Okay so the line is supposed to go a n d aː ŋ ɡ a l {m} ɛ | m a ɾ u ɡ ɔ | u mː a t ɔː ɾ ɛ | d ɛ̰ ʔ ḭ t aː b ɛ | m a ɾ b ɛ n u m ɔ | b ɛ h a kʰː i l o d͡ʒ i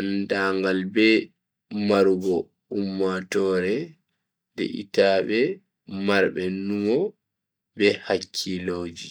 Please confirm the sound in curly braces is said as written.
no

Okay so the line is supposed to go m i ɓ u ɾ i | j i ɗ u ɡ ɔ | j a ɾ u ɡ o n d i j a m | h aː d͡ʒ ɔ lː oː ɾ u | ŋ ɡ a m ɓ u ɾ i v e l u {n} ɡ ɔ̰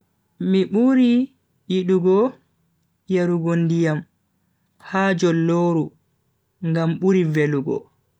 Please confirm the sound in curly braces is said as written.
no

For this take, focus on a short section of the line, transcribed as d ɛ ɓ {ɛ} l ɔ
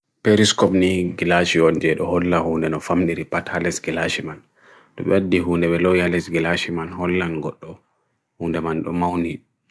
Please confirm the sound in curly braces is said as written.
yes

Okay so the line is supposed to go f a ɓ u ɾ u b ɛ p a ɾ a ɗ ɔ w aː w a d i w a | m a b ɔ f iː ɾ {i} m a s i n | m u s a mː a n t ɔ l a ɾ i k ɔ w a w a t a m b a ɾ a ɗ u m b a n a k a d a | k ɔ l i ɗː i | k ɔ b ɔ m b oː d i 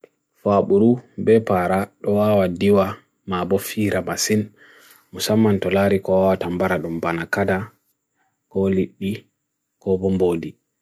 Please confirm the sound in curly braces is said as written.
no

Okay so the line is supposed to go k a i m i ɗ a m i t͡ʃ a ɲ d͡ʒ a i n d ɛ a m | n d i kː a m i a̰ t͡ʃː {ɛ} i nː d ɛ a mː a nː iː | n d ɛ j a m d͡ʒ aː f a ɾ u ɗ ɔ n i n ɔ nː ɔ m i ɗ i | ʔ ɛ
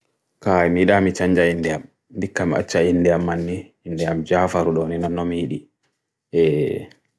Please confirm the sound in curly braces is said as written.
no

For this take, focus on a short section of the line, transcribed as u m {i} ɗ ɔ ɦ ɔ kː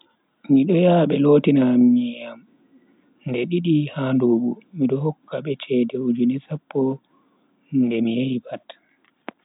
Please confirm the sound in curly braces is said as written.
yes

